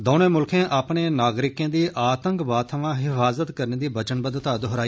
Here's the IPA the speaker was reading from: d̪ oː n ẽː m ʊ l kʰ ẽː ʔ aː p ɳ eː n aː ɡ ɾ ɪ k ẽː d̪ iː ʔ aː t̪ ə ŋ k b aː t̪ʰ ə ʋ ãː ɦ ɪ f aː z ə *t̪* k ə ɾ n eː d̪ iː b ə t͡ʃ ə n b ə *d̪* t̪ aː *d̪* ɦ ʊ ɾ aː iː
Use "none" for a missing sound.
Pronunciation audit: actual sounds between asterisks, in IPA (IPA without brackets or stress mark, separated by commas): t̪, d̪, d̪